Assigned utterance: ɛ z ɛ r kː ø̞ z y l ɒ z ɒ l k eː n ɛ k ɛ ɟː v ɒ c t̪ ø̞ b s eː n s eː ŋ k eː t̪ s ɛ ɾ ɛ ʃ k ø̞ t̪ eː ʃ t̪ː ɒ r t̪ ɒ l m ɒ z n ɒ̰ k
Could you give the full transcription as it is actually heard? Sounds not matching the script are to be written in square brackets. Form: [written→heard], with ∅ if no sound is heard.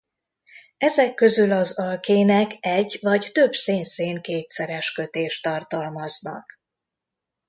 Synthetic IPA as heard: ɛ z ɛ [r→∅] kː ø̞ z y l ɒ z ɒ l k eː n ɛ k ɛ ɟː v ɒ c t̪ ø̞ b s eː n s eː ŋ k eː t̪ s ɛ ɾ ɛ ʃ k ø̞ t̪ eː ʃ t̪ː ɒ r t̪ ɒ l m ɒ z n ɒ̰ k

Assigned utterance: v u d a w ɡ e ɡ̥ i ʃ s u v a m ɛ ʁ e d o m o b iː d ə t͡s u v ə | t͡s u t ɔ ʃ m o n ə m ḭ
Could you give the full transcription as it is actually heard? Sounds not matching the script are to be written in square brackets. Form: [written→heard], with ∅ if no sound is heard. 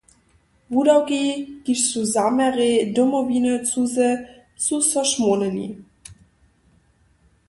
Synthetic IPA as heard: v u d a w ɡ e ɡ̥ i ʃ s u [v→z] a m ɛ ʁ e d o m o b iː [d→n] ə t͡s u [v→z] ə | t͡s u [t→s] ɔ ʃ m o n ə [m→n] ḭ

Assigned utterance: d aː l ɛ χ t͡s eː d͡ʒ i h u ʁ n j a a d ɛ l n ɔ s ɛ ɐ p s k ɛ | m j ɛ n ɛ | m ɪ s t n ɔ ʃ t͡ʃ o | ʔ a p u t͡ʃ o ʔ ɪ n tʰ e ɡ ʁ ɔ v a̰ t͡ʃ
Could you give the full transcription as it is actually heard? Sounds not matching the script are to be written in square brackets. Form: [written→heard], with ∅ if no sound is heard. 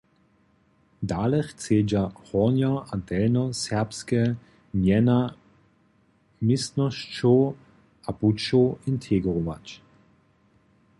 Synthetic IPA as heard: d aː l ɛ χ t͡s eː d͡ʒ [i→a] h [u→ɔ] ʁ n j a a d ɛ l n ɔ s ɛ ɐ p s k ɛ | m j ɛ n [ɛ→a] | m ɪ s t n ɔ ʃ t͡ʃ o | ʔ a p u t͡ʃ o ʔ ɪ n tʰ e ɡ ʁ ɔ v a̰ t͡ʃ

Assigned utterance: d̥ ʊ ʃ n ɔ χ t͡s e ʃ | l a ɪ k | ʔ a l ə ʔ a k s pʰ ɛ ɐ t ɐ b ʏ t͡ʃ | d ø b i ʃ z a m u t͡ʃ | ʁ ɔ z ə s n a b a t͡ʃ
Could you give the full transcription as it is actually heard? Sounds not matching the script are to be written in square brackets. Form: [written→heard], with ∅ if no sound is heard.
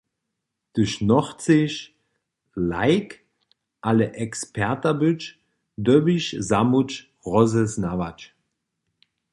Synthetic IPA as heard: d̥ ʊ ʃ n ɔ χ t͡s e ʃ | l a ɪ k | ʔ a l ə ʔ [a→ɛ] k s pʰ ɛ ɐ t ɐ b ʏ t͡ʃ | d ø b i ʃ z a m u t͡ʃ | ʁ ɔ z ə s n a [b→v] a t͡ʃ

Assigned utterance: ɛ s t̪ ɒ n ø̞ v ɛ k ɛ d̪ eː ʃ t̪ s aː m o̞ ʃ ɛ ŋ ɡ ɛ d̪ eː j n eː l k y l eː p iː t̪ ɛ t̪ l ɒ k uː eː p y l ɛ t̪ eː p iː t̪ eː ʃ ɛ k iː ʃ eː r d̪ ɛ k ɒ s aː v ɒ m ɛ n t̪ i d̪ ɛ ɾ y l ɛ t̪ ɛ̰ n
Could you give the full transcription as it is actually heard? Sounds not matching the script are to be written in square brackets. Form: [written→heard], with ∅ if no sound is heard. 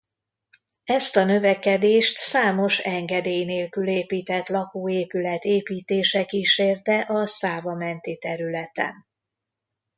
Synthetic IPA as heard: ɛ s t̪ ɒ n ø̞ v ɛ k ɛ d̪ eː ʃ t̪ s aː m o̞ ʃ ɛ ŋ ɡ ɛ d̪ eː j n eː l k y l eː p iː t̪ ɛ t̪ l ɒ k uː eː p y l ɛ t̪ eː p iː t̪ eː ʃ ɛ k iː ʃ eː r [d̪→t̪] ɛ [k→ʔ] ɒ s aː v ɒ m ɛ n t̪ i [d̪→t̪] ɛ ɾ y l ɛ t̪ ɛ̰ n

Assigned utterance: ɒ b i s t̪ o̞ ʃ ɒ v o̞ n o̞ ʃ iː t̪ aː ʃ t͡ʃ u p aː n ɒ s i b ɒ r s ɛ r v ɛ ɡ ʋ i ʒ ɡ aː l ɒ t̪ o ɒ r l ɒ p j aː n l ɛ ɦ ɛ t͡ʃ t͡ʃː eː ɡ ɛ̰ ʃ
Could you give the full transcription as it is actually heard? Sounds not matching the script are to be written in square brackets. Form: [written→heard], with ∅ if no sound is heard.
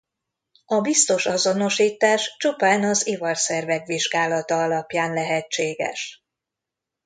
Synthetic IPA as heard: ɒ b i s t̪ o̞ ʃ ɒ [v→z] o̞ n o̞ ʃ iː t̪ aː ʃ t͡ʃ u p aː n ɒ [s→z] i [b→v] ɒ r s ɛ r v ɛ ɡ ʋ i ʒ ɡ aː l ɒ t̪ [o→ɒ] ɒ [r→∅] l ɒ p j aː n l ɛ ɦ ɛ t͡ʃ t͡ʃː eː ɡ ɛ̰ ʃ

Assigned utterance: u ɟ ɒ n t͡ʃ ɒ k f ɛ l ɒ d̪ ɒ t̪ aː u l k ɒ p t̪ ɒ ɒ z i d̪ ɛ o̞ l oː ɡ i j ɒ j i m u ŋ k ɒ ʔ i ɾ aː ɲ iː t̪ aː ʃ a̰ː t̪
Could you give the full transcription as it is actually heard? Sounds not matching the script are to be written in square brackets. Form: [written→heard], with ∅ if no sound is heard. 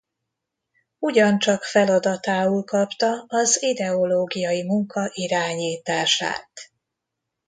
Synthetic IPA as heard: u ɟ ɒ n t͡ʃ ɒ k f ɛ l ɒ d̪ ɒ t̪ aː u l k ɒ p t̪ ɒ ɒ z i d̪ ɛ o̞ l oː ɡ i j ɒ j i m u ŋ k ɒ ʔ i ɾ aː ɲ iː t̪ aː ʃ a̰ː t̪

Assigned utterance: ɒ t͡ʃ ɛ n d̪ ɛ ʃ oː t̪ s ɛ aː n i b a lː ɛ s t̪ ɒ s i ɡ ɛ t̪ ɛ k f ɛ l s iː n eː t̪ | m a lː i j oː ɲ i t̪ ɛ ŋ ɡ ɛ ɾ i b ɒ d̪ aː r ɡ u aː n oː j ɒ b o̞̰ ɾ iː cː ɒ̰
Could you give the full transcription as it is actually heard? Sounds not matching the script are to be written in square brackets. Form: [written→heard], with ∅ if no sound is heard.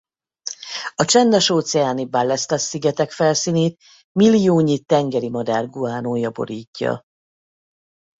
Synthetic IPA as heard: ɒ t͡ʃ ɛ n d̪ ɛ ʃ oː t̪ s ɛ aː n i b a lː ɛ s t̪ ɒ s i ɡ ɛ t̪ ɛ k f ɛ l s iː n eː t̪ | m [a→i] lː i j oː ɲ i t̪ ɛ ŋ ɡ ɛ ɾ i [b→m] ɒ d̪ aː r ɡ u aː n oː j ɒ b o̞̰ ɾ iː cː ɒ̰

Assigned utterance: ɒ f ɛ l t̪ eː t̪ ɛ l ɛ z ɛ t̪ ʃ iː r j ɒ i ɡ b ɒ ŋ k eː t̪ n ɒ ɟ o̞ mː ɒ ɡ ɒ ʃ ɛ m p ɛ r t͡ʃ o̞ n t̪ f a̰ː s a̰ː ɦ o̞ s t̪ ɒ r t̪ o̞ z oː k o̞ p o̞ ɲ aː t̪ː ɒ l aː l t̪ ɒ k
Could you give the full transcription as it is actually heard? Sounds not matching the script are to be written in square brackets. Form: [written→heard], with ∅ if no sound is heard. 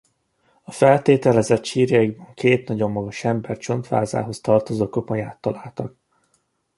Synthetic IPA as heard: ɒ f ɛ l t̪ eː t̪ ɛ l ɛ z ɛ t̪ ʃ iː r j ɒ i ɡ b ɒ ŋ k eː t̪ n ɒ ɟ o̞ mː ɒ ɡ ɒ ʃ ɛ m [p→b] ɛ r t͡ʃ o̞ n t̪ f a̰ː [s→z] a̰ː ɦ o̞ s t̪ ɒ r t̪ o̞ z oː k o̞ p o̞ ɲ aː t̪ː ɒ l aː l t̪ ɒ k

